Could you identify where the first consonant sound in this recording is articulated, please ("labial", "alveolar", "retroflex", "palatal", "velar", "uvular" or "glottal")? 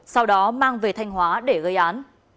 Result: alveolar